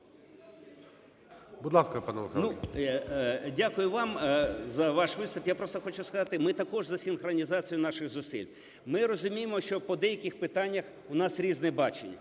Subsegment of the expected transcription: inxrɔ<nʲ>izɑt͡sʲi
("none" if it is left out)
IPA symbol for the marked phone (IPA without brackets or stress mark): nʲ